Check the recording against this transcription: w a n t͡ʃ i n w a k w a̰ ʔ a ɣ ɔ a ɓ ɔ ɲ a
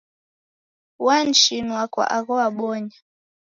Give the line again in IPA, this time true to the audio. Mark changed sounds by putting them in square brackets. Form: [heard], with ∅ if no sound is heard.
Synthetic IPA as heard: w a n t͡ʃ i n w a k w a̰ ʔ a ɣ ɔ a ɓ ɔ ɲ a